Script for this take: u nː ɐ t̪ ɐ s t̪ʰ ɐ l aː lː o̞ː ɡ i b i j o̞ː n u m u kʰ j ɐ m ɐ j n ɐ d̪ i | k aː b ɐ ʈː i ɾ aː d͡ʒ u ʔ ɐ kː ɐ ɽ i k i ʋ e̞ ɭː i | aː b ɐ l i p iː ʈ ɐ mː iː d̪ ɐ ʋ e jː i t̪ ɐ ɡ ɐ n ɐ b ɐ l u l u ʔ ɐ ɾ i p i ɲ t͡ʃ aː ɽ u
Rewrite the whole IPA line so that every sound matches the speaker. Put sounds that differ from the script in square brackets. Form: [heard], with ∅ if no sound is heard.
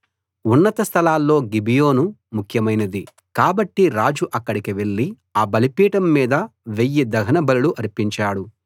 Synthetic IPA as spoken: u nː ɐ t̪ ɐ s t̪ʰ ɐ l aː lː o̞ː ɡ i b i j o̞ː n u m u kʰ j ɐ m ɐ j n ɐ d̪ i | k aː b ɐ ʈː i ɾ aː d͡ʒ u ʔ ɐ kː ɐ ɽ i k i ʋ e̞ ɭː i | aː b ɐ l i p iː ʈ ɐ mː iː d̪ ɐ ʋ e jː i [d̪] ɐ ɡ ɐ n ɐ b ɐ l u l u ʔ ɐ ɾ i p i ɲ t͡ʃ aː ɽ u

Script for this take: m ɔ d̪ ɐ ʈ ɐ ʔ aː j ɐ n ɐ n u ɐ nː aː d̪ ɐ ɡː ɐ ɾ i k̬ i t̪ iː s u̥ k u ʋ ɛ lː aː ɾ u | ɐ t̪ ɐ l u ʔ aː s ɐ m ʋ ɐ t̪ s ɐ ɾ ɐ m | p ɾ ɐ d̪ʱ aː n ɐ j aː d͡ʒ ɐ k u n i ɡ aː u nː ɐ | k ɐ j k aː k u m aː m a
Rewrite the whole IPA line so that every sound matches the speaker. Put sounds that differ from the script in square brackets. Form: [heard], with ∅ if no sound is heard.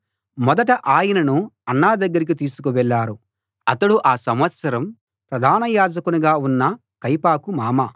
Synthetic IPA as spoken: m ɔ d̪ ɐ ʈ ɐ ʔ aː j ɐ n ɐ n u ɐ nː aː d̪ ɐ ɡː ɐ ɾ i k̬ i t̪ iː s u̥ k u ʋ ɛ [ɭː] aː ɾ u | ɐ t̪ ɐ [ɽ] u ʔ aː s ɐ m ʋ ɐ t̪ s ɐ ɾ ɐ m | p ɾ ɐ d̪ʱ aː n ɐ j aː d͡ʒ ɐ k u n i ɡ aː u nː ɐ | k ɐ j [p] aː k u m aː m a

